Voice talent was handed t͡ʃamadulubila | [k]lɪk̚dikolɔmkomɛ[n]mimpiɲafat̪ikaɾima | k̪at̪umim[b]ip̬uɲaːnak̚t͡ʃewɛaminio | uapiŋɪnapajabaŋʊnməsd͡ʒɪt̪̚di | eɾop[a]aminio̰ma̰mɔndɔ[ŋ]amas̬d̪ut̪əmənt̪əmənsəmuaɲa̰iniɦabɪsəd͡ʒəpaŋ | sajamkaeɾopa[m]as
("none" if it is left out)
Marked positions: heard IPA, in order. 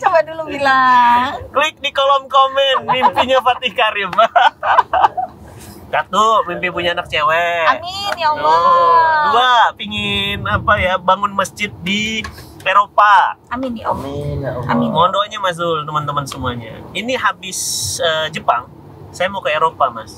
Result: k, n, p, a, ɲ, m

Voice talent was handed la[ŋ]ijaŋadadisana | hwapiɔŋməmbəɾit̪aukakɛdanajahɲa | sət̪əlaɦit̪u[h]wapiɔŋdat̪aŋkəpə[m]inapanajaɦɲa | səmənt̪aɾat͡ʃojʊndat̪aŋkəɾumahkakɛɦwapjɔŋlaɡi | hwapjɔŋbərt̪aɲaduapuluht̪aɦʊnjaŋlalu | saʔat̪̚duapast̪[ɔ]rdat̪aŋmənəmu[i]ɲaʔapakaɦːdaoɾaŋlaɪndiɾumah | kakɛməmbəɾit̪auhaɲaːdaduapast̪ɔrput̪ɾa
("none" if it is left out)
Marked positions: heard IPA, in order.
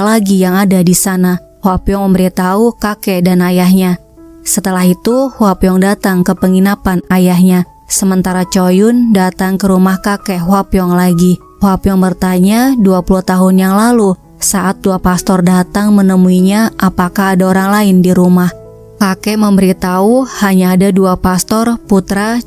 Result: ɡ, h, ŋ, ɔ, i

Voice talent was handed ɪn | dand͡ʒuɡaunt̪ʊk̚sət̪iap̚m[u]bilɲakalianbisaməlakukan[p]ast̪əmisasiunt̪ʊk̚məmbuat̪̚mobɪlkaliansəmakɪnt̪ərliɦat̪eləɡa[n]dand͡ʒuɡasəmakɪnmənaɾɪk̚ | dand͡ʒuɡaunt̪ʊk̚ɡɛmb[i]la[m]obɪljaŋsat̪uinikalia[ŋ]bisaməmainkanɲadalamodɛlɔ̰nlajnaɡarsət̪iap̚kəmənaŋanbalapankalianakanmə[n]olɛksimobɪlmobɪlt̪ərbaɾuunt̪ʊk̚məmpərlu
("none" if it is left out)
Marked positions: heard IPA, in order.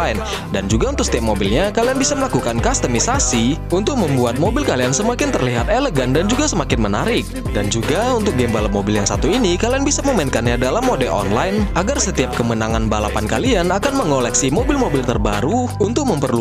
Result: o, k, n, a, m, n, ŋ

